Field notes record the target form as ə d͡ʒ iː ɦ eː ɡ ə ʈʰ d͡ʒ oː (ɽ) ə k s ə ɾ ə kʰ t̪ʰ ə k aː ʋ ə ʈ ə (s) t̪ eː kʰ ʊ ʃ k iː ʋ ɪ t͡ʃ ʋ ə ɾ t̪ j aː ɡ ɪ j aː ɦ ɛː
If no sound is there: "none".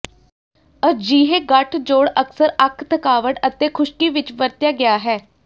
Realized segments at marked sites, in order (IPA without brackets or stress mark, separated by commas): ɽ, none